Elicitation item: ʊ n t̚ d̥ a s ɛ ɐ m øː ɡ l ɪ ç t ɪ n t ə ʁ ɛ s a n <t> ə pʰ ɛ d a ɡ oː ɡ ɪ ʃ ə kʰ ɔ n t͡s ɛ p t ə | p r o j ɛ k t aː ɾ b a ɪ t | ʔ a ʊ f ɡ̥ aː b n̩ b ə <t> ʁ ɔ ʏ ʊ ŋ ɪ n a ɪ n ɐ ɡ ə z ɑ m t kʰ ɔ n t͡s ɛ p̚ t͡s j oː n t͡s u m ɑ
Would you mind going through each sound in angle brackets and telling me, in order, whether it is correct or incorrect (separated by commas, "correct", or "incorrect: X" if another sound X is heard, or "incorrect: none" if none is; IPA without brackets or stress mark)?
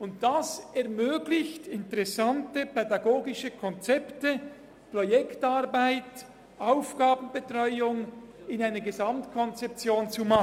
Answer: correct, correct